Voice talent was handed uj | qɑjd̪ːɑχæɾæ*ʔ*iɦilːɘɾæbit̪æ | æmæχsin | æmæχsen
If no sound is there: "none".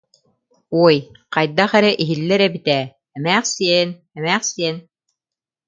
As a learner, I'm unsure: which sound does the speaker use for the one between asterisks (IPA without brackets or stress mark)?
ʔ